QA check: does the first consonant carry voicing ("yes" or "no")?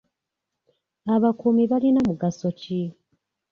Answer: yes